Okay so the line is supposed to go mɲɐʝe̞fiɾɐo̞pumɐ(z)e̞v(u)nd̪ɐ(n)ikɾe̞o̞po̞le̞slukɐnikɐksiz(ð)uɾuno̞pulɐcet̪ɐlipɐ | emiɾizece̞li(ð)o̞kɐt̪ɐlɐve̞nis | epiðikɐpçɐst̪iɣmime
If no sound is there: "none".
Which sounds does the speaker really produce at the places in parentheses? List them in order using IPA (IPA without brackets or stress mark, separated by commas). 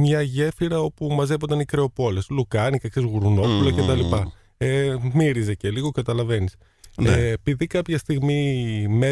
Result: z, o, n, ɣ, ɣ